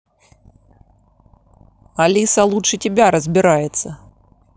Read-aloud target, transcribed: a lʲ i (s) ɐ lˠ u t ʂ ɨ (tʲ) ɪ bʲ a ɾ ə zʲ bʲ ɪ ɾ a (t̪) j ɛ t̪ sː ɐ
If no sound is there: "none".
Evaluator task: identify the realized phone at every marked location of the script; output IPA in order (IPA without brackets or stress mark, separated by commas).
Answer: s, tʲ, none